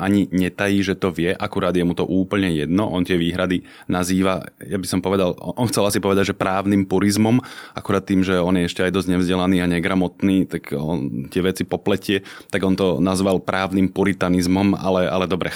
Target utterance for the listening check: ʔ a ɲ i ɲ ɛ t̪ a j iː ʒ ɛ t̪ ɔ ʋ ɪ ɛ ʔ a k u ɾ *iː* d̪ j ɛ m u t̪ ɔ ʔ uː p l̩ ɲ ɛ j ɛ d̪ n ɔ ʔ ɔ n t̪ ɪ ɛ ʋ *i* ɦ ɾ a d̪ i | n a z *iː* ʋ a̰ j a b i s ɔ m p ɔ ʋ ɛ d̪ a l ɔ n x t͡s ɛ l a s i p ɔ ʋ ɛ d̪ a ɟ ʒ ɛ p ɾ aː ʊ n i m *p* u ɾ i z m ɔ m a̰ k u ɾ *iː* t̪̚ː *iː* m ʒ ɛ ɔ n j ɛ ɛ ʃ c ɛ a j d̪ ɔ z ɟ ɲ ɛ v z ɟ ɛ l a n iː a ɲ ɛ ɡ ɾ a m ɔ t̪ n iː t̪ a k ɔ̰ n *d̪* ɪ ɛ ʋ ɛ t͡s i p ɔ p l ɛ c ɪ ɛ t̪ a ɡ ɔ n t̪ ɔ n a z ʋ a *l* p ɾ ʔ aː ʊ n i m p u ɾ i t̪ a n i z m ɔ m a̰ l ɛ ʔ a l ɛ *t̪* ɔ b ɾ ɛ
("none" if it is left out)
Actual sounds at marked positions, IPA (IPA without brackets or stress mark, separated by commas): aː, iː, iː, p, aː, iː, t̪, l, d̪